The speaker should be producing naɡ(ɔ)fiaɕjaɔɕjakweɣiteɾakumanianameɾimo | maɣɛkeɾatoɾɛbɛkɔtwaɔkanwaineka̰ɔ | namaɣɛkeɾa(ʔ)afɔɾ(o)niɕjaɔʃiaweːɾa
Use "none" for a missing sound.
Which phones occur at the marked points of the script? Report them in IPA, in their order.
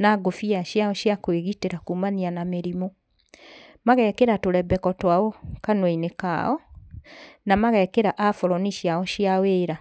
o, ʔ, ɔ

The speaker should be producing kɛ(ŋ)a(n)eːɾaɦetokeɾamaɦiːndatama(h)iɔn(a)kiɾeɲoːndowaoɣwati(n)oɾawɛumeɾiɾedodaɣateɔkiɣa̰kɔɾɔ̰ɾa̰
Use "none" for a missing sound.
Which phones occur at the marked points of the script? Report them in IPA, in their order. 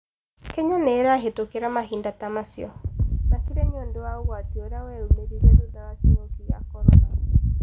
ɲ, n, s, a, none

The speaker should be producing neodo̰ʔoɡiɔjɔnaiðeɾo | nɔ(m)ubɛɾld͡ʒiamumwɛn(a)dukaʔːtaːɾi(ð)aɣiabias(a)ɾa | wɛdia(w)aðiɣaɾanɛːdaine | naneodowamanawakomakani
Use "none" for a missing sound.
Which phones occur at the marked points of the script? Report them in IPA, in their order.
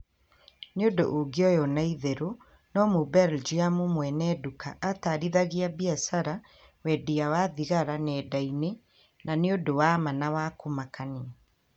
m, ɛ, ð, a, w

